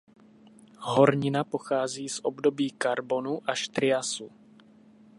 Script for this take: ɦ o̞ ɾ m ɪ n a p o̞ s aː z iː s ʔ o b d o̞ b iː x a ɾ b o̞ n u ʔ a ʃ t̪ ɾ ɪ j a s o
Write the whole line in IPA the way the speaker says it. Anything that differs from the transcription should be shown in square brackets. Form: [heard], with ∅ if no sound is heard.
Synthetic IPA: ɦ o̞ ɾ [ɲ] ɪ n a p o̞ [x] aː z iː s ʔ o b d o̞ b iː [k] a ɾ b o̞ n u ʔ a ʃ t̪ ɾ ɪ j a s [u]